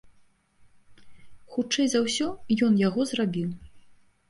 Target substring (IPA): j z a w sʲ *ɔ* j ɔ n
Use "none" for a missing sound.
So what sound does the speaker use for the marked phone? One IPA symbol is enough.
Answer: ɔ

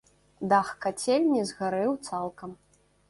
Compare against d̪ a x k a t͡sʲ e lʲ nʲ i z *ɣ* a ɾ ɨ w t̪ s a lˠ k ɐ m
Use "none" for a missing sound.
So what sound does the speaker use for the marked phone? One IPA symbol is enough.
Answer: ɣ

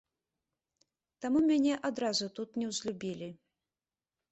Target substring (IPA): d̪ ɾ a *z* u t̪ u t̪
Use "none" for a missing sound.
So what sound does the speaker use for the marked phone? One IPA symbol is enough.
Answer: z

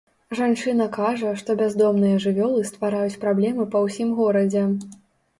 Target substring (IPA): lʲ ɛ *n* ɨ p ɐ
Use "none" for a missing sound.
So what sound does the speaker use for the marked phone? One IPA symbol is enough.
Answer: m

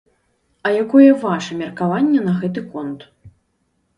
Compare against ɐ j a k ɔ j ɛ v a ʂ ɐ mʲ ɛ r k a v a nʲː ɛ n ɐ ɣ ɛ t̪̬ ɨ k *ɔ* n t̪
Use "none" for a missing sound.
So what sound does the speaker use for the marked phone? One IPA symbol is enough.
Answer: ɔ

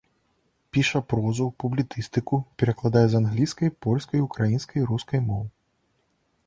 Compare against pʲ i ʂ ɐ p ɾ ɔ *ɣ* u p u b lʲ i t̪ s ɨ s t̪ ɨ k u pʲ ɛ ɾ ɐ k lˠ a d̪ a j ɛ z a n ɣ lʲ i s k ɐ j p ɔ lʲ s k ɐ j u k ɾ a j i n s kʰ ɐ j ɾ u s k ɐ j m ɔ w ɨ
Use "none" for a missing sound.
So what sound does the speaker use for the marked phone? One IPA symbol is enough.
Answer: z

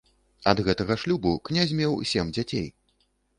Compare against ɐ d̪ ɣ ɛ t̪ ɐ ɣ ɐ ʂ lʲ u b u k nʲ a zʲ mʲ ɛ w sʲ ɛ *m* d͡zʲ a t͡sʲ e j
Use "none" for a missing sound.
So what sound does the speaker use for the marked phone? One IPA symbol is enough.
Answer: m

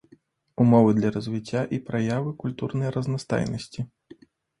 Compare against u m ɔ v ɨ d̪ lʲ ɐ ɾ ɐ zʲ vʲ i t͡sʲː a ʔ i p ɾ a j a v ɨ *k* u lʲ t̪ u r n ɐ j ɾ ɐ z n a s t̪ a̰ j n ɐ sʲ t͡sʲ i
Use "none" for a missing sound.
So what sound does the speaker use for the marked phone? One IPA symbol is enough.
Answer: k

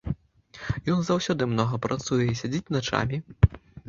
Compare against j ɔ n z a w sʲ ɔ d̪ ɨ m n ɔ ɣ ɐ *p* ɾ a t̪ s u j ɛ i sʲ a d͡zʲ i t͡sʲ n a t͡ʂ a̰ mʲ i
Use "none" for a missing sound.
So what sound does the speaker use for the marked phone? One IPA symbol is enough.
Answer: p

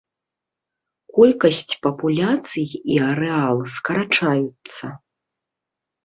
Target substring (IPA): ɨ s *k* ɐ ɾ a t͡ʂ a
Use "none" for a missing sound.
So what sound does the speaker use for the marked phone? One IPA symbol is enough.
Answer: k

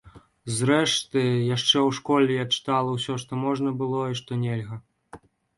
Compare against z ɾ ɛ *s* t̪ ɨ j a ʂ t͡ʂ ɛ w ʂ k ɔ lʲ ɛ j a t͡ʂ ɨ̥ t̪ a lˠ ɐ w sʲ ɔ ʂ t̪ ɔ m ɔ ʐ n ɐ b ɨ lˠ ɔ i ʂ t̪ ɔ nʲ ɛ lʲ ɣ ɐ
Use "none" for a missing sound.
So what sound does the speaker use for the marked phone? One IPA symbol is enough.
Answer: ʂ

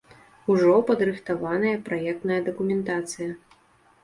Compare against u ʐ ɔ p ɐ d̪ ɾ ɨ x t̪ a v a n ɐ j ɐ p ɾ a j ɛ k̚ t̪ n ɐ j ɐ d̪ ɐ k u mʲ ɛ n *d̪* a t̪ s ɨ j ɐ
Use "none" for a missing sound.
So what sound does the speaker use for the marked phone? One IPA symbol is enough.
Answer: t̪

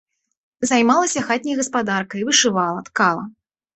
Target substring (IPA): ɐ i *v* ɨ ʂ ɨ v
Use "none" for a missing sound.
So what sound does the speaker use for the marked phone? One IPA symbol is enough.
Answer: v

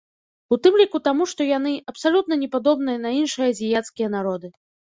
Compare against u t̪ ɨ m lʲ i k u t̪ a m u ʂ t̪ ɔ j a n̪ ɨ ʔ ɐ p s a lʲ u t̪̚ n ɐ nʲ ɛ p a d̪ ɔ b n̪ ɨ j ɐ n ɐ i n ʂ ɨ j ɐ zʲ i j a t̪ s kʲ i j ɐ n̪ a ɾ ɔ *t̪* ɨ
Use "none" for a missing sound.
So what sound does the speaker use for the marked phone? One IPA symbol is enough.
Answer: d̪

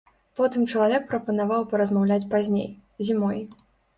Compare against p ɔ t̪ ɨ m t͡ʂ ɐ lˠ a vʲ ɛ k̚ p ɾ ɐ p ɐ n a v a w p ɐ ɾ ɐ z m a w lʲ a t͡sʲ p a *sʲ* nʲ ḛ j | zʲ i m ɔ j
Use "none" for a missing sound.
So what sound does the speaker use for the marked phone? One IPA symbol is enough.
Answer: zʲ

